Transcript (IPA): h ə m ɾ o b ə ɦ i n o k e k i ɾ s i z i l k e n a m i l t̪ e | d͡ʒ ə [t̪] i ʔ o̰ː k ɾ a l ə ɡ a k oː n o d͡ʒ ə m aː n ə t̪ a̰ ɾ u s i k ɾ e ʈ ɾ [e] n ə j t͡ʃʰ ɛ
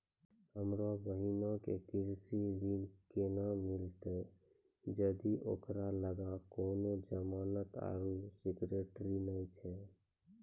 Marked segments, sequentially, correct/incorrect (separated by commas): incorrect, incorrect